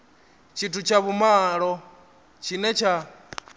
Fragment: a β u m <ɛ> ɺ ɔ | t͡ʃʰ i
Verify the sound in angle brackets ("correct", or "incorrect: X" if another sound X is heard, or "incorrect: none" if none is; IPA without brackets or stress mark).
incorrect: a